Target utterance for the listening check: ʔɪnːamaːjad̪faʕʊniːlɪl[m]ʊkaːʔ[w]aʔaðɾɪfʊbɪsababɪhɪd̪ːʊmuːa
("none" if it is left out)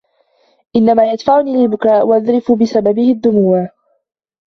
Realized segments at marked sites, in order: b, w

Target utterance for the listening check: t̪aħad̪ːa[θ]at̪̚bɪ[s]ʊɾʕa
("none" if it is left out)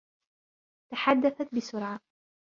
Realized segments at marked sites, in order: θ, s

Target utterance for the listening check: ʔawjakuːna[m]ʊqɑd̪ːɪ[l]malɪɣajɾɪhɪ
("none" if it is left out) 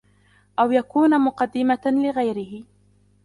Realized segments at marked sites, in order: m, none

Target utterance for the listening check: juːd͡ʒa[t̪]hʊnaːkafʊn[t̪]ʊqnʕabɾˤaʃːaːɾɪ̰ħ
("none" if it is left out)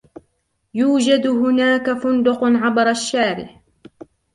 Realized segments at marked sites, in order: d̪, d̪

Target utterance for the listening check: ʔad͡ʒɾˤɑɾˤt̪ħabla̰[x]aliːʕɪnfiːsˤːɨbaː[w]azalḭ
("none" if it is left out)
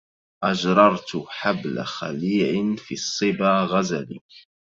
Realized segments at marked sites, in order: x, ɣ

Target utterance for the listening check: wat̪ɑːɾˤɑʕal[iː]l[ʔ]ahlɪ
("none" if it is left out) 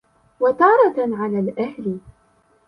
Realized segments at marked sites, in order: aː, ʔ

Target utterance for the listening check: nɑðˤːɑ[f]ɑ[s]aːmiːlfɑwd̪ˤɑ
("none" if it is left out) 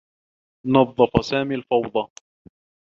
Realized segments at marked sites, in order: f, s

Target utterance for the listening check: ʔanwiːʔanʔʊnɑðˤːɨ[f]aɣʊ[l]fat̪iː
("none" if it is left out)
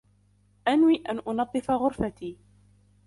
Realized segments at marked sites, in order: f, ɾ

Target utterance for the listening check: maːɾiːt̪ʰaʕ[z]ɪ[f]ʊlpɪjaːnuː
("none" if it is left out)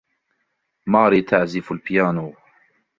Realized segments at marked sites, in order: z, f

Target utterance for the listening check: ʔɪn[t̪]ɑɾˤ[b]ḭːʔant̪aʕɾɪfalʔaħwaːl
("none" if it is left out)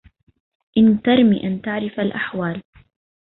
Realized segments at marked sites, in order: t̪, m

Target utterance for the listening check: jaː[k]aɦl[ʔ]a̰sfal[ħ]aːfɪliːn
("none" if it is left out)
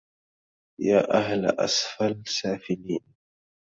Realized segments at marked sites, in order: ʔ, ʔ, s

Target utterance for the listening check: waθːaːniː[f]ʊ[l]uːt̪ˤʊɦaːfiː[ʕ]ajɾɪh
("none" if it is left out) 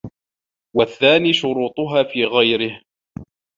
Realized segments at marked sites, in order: ʃ, ɾ, ɣ

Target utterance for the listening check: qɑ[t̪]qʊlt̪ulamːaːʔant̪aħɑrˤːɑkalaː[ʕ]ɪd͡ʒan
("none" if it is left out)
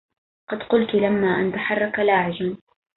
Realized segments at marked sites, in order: d̪, ʕ

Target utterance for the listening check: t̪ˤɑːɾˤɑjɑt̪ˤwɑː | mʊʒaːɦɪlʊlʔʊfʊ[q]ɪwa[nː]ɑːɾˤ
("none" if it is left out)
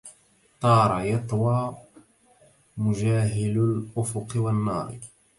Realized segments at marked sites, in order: q, nː

